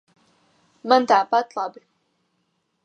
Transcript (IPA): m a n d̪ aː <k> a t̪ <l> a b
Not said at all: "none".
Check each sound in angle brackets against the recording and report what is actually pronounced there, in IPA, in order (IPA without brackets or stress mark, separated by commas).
p, l